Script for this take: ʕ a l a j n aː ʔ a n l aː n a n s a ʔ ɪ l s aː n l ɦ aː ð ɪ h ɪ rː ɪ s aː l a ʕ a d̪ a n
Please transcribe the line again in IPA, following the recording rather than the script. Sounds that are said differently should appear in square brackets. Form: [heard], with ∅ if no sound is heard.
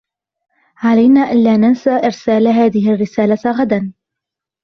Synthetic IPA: ʕ a l a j n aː ʔ a n l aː n a n s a ʔ ɪ [ɾ] s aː [∅] l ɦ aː ð ɪ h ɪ rː ɪ s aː l a [ɣ] a d̪ a n